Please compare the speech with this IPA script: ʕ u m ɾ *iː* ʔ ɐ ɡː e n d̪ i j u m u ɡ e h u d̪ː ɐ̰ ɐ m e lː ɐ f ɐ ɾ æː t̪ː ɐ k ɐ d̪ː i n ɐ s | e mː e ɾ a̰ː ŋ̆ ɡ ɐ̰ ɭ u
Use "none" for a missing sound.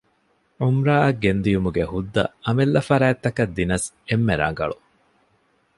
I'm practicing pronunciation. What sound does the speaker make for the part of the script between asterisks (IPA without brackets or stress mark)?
aː